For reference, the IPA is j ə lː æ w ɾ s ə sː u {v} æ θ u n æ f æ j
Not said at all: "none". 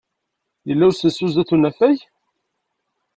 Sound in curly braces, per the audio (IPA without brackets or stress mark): z